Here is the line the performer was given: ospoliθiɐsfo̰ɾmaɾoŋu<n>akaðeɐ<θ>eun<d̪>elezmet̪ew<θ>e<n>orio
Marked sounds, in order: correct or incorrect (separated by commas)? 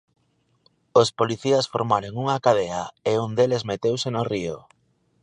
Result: incorrect, incorrect, correct, incorrect, correct